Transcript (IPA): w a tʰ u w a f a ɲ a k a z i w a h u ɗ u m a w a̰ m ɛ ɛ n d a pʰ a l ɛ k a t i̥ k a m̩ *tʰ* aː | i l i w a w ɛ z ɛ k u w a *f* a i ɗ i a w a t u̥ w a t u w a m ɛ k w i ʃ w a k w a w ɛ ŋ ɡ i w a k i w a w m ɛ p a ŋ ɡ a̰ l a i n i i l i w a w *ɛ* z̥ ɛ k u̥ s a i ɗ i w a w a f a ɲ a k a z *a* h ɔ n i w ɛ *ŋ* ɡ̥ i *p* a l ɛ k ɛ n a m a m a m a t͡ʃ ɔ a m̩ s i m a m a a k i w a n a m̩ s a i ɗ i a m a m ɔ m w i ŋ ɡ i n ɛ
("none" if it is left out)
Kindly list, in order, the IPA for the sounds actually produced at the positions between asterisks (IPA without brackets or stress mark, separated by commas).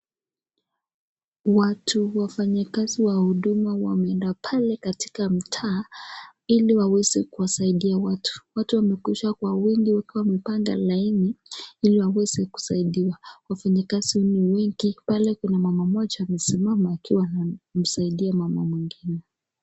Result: tʰ, s, ɛ, i, ŋ, p